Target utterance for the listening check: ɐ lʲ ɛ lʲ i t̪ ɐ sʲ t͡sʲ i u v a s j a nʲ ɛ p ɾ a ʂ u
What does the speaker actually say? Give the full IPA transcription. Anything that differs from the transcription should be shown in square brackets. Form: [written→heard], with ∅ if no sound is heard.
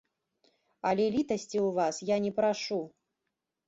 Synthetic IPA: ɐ lʲ ɛ lʲ i t̪ ɐ sʲ t͡sʲ i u v a s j a nʲ ɛ p ɾ a ʂ u